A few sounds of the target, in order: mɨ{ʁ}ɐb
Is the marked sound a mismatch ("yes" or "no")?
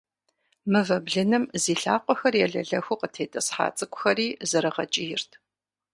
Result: yes